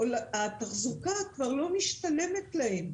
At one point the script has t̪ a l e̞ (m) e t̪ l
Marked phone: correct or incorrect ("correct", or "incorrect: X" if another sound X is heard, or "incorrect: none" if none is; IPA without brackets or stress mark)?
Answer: correct